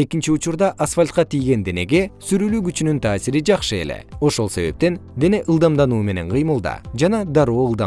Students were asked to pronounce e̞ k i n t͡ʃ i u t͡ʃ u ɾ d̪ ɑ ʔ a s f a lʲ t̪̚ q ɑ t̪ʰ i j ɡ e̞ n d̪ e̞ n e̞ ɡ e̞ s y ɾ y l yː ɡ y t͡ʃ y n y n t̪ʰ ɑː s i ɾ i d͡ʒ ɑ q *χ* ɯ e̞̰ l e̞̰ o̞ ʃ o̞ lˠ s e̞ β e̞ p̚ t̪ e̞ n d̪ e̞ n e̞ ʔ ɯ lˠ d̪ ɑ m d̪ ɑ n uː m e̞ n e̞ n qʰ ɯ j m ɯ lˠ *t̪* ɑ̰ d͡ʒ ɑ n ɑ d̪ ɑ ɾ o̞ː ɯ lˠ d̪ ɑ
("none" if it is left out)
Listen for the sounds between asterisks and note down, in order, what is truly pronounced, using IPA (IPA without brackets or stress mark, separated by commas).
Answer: ʃ, d̪